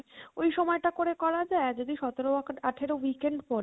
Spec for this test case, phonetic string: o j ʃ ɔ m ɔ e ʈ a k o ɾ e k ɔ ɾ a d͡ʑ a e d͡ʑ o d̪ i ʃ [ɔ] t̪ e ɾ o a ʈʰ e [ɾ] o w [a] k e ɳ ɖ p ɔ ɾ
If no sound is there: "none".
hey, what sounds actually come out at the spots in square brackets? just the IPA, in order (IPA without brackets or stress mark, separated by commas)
ɔ, ɾ, i